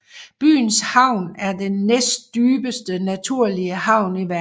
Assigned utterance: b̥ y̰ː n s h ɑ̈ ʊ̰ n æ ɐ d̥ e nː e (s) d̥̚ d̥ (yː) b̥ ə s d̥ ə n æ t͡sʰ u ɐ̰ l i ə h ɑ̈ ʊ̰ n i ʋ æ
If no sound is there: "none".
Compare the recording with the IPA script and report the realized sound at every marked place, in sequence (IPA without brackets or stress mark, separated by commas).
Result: s, yː